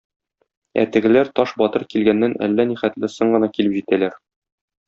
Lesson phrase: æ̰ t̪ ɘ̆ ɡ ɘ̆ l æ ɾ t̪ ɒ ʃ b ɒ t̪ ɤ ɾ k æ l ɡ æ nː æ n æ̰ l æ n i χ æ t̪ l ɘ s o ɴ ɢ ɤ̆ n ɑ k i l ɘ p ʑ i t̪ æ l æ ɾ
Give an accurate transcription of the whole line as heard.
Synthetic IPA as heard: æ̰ t̪ ɘ̆ ɡ ɘ̆ l æ ɾ t̪ ɒ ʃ b ɒ t̪ ɤ ɾ k i l ɡ æ nː æ n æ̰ lː æ n i χ æ t̪ l ɘ s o ɴ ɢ ɤ̆ n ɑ k i l ɘ p ʑ i t̪ æ l æ ɾ